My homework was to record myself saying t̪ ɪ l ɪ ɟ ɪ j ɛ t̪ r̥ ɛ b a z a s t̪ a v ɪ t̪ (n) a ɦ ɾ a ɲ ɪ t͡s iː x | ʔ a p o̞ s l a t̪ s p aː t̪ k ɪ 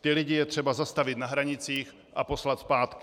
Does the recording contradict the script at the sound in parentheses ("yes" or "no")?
no